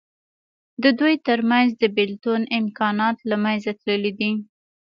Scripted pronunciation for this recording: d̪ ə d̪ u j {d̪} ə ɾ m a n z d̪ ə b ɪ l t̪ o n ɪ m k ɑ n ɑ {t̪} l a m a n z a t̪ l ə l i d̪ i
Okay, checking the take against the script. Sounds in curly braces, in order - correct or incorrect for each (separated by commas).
incorrect, correct